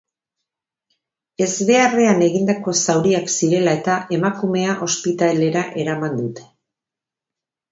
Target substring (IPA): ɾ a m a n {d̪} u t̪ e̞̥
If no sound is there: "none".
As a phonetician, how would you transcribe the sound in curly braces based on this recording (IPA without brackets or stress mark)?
d̪